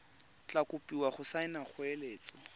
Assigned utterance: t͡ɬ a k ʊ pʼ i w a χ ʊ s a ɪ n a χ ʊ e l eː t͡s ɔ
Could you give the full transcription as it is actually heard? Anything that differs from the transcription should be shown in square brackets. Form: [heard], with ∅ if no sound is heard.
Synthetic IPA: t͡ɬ a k ʊ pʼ i w a χ ʊ s a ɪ n a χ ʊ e l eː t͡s ɔ